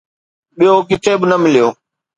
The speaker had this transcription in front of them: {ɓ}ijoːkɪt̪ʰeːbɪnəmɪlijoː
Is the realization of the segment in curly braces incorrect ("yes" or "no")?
no